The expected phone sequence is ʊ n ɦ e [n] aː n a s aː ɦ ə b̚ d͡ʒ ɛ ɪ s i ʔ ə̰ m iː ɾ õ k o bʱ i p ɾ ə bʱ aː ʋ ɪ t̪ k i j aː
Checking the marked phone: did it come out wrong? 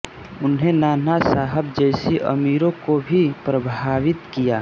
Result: no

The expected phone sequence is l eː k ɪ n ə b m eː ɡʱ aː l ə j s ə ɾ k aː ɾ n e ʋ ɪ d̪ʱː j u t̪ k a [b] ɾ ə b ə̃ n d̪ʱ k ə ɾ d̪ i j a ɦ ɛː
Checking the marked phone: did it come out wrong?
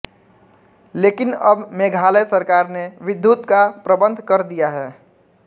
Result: yes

